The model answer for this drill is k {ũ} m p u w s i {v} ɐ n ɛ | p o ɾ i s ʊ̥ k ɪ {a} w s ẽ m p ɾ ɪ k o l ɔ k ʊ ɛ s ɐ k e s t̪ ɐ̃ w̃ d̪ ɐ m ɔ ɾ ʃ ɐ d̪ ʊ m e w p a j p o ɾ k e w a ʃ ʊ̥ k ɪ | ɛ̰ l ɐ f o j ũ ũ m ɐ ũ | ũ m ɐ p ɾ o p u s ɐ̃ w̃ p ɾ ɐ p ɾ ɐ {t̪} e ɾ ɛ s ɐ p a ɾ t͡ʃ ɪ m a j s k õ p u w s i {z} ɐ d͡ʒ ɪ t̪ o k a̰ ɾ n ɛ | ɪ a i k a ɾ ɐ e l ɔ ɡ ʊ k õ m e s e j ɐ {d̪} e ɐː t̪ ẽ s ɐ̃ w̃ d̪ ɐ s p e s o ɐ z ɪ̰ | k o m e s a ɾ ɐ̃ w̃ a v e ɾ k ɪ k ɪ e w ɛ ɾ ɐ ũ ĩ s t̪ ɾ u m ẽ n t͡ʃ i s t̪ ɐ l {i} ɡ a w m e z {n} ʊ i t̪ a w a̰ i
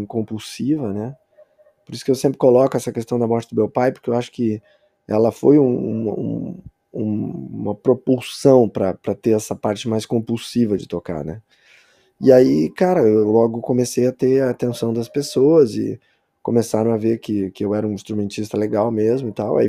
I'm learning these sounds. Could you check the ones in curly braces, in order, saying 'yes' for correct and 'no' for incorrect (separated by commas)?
no, yes, no, yes, no, no, no, no